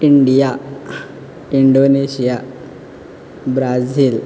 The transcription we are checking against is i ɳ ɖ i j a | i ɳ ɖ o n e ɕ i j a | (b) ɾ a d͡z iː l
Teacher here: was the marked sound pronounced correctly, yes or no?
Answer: yes